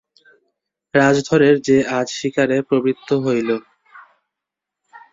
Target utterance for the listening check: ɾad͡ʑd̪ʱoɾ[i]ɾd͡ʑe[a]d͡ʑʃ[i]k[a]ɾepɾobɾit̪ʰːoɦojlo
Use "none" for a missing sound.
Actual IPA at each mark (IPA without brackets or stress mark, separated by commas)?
e, a, i, a